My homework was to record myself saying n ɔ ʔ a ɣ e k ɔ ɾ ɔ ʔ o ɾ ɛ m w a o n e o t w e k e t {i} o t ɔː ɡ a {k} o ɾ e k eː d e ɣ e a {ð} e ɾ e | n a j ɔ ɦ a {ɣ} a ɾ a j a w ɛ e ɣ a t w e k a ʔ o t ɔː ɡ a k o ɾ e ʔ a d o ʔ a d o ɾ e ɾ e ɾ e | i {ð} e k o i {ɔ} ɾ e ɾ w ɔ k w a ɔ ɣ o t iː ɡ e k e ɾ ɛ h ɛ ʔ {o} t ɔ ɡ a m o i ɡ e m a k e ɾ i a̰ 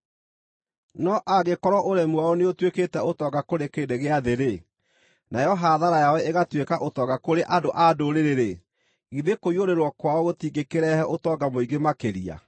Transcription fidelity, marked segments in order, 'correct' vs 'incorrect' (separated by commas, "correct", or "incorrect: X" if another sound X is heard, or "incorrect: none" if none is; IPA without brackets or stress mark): incorrect: ɛ, correct, correct, incorrect: ð, correct, incorrect: o, correct